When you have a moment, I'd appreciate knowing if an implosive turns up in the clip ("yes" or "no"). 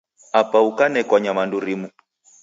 no